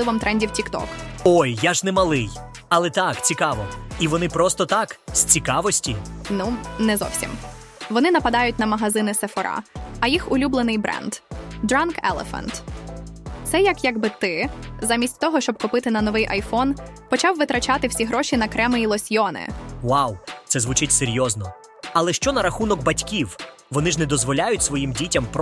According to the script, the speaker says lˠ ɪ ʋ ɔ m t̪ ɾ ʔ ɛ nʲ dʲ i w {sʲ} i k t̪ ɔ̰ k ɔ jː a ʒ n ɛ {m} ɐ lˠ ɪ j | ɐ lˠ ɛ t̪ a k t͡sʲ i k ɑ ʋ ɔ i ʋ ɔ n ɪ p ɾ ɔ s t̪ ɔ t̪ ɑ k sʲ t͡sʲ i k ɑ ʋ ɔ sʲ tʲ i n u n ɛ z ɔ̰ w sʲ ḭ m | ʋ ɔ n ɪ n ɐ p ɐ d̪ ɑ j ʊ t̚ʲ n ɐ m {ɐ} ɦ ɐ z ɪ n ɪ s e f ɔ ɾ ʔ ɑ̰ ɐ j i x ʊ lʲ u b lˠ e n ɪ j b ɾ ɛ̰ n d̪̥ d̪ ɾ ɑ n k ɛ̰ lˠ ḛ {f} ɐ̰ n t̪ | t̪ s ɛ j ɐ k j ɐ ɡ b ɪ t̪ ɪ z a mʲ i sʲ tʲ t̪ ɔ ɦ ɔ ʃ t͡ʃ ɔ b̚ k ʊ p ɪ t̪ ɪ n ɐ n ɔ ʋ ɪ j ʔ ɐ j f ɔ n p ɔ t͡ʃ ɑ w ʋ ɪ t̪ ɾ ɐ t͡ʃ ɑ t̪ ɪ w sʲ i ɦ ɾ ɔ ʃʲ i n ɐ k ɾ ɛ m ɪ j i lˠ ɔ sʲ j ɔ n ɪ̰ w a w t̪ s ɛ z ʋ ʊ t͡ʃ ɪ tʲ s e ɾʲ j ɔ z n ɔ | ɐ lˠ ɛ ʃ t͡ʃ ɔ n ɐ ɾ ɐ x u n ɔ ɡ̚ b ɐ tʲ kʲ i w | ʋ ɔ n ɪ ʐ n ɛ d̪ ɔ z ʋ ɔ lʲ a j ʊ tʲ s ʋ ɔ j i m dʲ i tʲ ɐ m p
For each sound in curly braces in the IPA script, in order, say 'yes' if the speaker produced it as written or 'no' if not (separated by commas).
no, yes, yes, yes